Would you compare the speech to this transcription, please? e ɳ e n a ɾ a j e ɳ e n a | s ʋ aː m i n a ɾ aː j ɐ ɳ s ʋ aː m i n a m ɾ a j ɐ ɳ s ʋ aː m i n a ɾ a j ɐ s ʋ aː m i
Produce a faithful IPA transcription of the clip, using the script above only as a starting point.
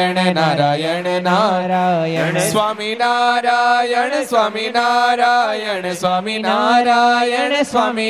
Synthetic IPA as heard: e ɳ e n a ɾ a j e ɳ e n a | s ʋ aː m i n a ɾ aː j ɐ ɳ s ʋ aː m i n a ɾ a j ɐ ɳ s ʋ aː m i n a ɾ a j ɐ s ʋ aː m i